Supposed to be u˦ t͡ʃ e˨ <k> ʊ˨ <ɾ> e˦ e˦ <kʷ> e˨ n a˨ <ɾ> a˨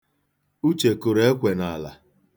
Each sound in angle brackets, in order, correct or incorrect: correct, correct, correct, incorrect: l

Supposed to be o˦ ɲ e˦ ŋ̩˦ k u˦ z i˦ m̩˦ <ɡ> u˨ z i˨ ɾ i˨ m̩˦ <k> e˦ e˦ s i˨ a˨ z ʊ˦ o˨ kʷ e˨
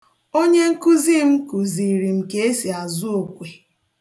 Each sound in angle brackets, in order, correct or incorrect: incorrect: k, correct

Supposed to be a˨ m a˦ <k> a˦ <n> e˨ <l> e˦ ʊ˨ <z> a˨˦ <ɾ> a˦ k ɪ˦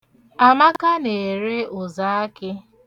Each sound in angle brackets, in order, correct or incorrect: correct, correct, incorrect: ɾ, correct, incorrect: none

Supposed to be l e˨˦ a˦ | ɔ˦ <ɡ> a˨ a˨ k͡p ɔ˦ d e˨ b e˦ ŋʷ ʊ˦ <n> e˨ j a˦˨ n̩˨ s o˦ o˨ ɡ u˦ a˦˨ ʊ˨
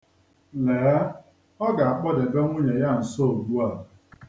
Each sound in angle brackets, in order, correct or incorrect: correct, incorrect: ɲ

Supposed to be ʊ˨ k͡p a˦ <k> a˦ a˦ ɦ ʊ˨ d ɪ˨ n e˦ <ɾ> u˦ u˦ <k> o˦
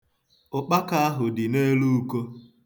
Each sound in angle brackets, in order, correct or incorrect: correct, incorrect: l, correct

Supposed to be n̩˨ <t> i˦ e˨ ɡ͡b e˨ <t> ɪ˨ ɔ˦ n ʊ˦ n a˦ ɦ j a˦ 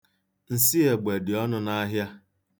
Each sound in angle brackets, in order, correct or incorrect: incorrect: s, incorrect: d

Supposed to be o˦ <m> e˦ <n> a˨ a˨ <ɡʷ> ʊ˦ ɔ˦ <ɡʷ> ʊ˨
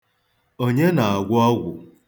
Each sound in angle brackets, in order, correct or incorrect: incorrect: ɲ, correct, correct, correct

